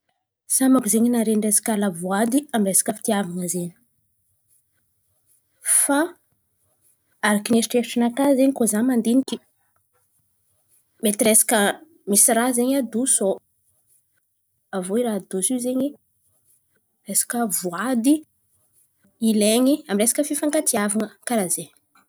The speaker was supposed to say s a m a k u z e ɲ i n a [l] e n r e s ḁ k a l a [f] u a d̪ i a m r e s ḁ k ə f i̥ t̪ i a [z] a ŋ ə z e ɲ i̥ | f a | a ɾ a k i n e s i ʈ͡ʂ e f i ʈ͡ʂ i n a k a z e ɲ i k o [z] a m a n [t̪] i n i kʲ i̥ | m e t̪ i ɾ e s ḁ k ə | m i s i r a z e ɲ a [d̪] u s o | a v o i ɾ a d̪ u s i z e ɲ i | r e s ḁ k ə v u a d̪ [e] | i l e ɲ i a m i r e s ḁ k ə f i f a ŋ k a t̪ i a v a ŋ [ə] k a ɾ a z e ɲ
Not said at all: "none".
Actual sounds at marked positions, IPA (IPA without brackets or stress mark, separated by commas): ɾ, v, v, z, d̪, d̪, i, ə